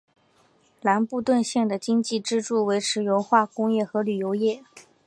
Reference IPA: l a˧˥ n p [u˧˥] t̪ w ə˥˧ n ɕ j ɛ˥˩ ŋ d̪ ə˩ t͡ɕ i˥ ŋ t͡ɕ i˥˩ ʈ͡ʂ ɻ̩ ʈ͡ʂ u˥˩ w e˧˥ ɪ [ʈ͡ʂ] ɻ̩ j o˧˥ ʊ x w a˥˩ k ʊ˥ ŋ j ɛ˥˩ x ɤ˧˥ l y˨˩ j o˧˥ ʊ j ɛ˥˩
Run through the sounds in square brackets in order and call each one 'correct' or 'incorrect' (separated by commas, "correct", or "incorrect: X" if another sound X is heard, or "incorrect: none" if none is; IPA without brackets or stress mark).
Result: incorrect: u˥˧, incorrect: ʈ͡ʂʰ